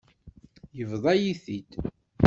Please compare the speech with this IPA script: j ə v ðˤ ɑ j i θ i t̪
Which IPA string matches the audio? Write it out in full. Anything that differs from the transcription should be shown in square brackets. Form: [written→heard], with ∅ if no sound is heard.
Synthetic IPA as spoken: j ə v ðˤ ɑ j i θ i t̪